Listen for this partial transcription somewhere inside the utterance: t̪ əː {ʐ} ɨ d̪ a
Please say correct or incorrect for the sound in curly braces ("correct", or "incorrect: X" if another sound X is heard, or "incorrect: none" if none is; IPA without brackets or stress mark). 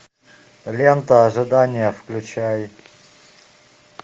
correct